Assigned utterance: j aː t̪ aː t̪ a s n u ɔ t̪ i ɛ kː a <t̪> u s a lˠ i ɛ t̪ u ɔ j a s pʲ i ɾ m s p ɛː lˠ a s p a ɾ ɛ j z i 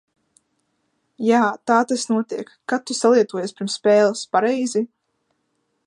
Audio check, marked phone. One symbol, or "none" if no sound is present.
t̪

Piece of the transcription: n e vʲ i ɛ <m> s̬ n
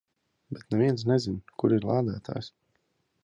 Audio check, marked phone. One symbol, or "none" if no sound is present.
n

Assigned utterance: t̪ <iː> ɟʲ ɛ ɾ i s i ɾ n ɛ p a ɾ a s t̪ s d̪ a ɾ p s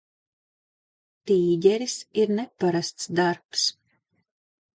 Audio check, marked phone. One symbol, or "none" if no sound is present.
iː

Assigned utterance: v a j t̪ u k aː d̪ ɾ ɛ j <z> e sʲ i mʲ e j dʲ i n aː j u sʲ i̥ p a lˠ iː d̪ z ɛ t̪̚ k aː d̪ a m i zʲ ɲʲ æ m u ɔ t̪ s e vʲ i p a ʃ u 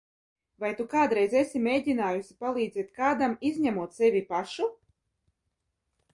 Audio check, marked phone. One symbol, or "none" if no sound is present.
z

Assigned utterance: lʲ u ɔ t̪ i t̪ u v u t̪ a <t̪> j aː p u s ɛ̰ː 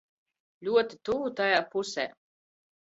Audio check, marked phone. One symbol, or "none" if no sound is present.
none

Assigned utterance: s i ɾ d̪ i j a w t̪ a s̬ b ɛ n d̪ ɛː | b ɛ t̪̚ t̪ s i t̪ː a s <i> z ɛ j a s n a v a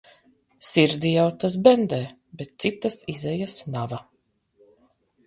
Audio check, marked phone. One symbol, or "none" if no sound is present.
i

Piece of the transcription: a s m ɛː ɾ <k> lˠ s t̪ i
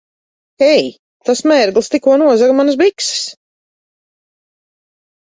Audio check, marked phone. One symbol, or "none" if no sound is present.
ɡ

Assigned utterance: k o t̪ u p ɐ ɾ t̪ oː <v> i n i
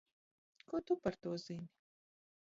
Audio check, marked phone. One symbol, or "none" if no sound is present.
z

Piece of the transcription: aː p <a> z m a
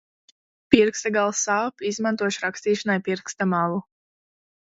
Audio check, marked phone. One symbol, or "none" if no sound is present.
i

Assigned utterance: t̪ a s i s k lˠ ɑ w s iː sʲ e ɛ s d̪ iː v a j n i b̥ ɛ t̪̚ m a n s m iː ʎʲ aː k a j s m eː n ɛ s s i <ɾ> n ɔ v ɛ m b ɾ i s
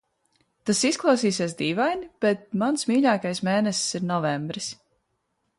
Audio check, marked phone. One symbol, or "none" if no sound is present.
ɾ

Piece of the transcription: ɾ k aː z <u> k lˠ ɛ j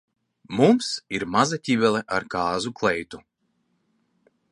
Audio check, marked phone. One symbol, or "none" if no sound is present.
u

